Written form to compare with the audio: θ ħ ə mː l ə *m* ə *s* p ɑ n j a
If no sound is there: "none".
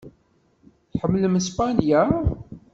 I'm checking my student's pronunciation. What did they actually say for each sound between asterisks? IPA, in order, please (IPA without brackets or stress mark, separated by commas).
m, s